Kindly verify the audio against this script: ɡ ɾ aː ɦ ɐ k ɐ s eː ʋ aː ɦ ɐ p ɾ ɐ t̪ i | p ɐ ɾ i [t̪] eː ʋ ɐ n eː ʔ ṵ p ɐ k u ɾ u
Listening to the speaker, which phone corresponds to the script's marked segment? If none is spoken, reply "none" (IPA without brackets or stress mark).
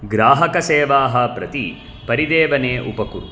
d̪